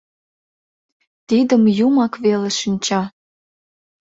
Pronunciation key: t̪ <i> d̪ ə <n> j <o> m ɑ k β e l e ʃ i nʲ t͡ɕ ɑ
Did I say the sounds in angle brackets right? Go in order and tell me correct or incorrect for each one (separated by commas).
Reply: correct, incorrect, incorrect